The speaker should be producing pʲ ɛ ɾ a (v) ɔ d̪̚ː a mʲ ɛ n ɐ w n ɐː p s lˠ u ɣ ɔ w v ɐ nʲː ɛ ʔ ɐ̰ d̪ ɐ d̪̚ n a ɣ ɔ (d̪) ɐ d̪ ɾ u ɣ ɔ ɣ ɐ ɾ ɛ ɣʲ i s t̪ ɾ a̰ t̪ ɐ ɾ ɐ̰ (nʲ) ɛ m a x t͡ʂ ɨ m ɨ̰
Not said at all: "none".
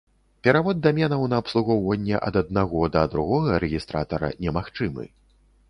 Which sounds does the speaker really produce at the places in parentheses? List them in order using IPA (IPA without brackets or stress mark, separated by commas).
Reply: v, d̪, nʲ